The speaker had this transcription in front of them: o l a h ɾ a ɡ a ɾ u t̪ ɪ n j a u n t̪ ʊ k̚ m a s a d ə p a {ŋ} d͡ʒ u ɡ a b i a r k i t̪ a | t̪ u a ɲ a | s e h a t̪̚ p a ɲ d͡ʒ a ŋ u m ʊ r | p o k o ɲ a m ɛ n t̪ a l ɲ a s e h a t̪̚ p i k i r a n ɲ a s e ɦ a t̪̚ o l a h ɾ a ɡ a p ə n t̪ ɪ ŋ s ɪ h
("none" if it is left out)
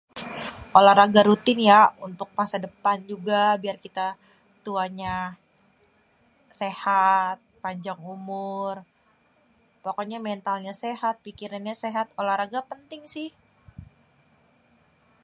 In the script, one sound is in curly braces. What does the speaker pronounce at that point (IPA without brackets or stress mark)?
n